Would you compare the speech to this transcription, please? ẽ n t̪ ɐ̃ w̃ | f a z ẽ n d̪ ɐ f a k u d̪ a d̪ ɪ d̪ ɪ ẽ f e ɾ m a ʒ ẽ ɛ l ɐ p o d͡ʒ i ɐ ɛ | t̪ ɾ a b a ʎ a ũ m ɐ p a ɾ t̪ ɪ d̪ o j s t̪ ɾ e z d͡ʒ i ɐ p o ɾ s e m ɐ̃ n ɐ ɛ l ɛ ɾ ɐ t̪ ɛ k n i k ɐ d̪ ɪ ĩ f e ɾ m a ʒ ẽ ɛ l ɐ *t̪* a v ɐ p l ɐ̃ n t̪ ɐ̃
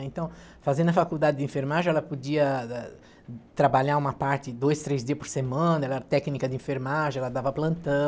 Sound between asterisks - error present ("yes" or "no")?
yes